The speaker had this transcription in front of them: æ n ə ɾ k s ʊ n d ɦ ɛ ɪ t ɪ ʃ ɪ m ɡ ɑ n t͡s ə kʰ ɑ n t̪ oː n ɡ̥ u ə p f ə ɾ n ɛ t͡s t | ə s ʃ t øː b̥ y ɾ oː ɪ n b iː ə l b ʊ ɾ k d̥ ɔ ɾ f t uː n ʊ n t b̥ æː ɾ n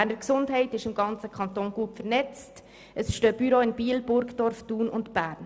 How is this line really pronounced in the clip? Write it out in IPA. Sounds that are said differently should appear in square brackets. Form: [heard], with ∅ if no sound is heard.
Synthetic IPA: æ n ə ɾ k s ʊ n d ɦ ɛ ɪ t ɪ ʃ ɪ m ɡ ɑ n t͡s ə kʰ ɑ n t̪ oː n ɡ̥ u ə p f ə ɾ n ɛ t͡s t | ə s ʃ t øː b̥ y ɾ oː ɪ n b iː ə l b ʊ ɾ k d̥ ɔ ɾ f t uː n ʊ n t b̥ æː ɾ n